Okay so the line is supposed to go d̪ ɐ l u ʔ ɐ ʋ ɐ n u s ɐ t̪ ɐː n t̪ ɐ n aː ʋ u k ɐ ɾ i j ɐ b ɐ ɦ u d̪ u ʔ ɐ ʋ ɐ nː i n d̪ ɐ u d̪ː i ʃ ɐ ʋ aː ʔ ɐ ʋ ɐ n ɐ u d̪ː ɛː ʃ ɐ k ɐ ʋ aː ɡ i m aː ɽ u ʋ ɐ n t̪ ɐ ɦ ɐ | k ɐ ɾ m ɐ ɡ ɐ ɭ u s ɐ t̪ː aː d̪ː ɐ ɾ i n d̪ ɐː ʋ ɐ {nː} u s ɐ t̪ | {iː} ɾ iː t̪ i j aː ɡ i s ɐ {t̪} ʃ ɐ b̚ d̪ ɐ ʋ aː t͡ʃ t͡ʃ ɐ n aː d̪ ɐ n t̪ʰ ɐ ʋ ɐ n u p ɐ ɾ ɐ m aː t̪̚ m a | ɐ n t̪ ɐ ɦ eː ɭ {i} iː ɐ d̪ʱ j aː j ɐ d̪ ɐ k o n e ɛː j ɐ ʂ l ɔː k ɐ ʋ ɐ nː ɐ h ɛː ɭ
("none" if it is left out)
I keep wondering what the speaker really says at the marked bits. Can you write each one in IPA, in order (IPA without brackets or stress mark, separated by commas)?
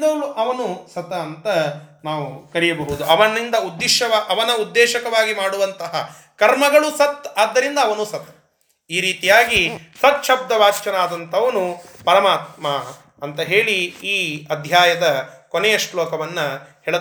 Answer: n, iː, t̪, i